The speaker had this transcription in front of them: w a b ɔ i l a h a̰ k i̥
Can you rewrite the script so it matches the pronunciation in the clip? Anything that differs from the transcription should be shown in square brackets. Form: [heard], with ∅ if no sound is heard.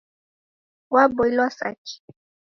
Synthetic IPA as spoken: w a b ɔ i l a [s] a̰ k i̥